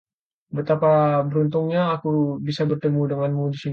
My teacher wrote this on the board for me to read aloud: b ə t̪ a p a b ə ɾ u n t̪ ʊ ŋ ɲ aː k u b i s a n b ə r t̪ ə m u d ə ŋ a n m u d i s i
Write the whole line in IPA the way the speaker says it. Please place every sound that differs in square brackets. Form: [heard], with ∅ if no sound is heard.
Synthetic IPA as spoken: b ə t̪ a p a b ə ɾ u n t̪ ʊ ŋ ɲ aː k u b i s a [∅] b ə r t̪ ə m u d ə ŋ a n m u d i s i